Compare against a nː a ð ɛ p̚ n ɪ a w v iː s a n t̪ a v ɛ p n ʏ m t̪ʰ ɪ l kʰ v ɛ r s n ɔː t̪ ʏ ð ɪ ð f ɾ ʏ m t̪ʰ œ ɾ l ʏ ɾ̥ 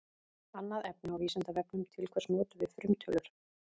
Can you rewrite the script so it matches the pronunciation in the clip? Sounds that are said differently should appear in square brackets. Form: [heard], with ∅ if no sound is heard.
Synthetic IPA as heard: a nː a ð ɛ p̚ n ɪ a w v iː s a n t̪ a v ɛ p n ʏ m t̪ʰ ɪ l kʰ v ɛ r s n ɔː t̪ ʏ [v] ɪ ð f ɾ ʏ m t̪ʰ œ [∅] l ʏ ɾ̥